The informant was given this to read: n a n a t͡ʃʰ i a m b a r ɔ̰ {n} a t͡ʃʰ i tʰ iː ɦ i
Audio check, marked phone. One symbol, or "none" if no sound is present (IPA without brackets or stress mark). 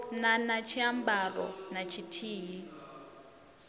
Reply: n